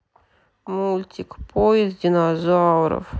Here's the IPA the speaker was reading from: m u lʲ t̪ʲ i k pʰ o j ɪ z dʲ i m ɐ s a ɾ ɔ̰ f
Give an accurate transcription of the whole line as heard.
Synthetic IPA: m u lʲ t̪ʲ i k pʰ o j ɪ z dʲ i n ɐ z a ɾ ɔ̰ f